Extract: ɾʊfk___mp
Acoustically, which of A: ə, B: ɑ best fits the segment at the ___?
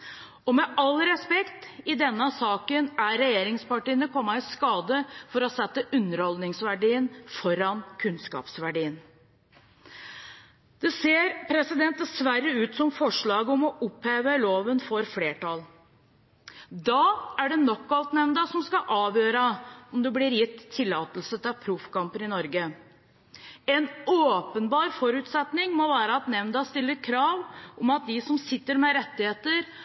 B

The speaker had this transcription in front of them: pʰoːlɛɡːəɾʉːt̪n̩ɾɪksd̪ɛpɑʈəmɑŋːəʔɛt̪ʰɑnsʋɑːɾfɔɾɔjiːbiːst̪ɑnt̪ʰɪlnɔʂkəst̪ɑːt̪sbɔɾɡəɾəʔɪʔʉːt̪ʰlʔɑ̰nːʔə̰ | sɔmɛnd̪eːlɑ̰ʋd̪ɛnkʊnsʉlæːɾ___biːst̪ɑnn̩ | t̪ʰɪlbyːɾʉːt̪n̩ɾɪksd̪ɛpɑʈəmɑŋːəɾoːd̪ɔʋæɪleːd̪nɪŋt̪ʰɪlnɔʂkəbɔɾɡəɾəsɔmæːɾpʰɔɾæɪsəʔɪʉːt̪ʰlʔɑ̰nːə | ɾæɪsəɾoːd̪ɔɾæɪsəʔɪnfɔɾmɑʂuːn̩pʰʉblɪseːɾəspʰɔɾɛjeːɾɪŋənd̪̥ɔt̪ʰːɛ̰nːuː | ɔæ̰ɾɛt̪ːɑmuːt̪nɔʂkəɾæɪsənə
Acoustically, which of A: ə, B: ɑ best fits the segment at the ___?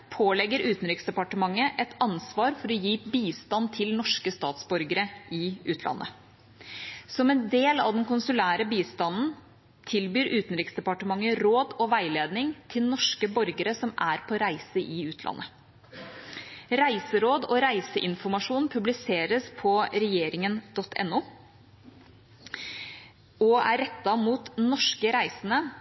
A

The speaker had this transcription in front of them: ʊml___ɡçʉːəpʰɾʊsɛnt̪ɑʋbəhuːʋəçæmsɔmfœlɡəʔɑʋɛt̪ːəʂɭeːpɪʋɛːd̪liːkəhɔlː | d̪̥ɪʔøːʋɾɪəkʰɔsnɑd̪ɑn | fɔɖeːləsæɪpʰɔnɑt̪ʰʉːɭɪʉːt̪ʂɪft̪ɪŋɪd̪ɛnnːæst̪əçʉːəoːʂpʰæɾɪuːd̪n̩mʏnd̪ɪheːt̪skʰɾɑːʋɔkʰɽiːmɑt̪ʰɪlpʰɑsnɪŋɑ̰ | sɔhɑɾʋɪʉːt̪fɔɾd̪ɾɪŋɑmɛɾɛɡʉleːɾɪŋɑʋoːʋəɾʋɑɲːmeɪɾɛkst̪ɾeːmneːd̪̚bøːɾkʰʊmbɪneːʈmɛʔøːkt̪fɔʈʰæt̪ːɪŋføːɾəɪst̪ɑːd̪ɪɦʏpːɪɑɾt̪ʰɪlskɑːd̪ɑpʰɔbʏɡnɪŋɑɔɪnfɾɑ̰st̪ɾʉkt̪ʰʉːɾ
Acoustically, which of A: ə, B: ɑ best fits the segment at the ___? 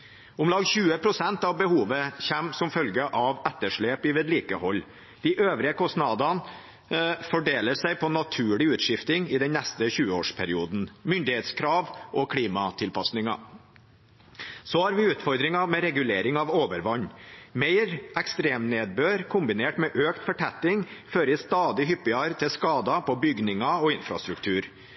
B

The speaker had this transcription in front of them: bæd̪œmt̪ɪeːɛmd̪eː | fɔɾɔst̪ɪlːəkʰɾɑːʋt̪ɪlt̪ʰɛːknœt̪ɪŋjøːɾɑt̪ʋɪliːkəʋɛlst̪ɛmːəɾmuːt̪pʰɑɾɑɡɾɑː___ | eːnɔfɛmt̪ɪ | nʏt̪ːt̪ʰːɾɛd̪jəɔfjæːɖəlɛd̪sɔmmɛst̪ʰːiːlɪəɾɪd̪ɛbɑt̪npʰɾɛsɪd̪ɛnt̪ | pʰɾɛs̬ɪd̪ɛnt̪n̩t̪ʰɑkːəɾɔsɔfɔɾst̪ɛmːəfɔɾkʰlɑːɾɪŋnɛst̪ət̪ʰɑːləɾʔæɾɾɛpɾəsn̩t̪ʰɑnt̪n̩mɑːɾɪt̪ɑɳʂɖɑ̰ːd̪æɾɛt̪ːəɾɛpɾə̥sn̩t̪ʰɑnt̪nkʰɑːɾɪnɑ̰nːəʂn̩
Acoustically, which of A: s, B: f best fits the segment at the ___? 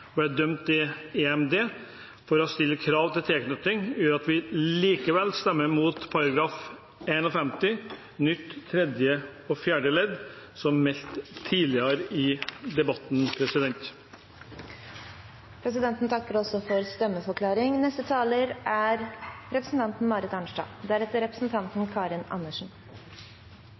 B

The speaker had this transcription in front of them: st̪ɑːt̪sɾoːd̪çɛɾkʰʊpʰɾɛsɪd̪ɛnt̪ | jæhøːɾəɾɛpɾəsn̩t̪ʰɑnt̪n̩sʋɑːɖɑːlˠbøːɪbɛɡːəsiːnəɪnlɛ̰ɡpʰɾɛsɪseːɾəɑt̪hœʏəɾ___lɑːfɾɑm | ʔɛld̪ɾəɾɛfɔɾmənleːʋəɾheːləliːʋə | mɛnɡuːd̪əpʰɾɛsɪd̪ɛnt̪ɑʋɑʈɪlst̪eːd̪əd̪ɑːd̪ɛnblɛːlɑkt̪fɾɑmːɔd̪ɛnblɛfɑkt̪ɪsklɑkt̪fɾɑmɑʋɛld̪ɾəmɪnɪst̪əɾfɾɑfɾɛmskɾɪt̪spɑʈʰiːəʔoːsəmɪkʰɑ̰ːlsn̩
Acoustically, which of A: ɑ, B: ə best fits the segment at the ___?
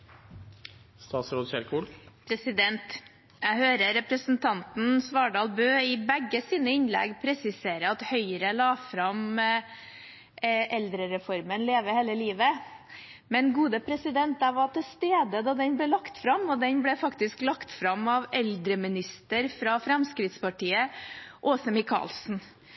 B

